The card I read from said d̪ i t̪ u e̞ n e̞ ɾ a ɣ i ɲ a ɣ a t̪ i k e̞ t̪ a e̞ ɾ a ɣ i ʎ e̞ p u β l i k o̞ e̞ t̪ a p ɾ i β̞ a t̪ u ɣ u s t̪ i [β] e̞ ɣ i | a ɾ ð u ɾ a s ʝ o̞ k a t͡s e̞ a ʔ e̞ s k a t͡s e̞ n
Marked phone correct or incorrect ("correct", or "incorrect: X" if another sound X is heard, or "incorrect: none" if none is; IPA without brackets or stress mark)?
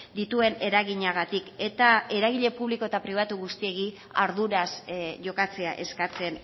incorrect: none